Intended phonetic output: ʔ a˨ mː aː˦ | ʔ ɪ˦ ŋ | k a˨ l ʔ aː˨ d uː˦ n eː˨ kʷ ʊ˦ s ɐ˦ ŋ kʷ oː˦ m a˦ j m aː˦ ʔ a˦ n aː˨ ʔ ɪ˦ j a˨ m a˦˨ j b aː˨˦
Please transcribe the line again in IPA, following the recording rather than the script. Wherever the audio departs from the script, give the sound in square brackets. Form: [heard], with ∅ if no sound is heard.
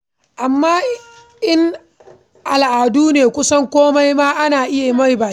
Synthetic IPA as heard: ʔ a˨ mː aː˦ | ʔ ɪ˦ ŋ | [ʔ] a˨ l ʔ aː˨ d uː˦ n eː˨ kʷ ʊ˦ s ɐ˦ ŋ kʷ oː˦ m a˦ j m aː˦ ʔ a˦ n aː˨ ʔ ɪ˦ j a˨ m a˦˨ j b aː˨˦